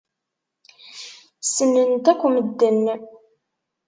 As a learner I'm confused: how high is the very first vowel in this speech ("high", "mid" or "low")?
mid